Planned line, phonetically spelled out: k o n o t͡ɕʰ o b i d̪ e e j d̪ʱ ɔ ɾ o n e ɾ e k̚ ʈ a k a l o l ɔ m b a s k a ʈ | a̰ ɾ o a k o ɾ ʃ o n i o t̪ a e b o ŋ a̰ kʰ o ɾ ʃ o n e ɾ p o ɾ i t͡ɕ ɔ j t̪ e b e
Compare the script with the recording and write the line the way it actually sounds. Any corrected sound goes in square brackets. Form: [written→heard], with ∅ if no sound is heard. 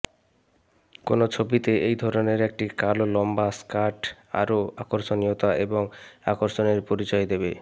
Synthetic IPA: k o n o t͡ɕʰ o b i [d̪→t̪] e e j d̪ʱ ɔ ɾ o n e ɾ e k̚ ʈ [a→i] k a l o l ɔ m b a s k a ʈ | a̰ ɾ o a k o ɾ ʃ o n i o t̪ a e b o ŋ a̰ [kʰ→k] o ɾ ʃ o n e ɾ p o ɾ i t͡ɕ ɔ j [t̪→d̪] e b e